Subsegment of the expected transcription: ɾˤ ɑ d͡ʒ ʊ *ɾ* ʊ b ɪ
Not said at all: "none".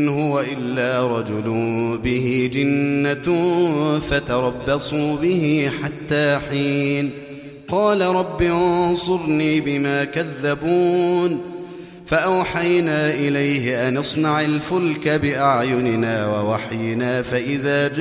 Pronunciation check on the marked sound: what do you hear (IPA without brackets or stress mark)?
l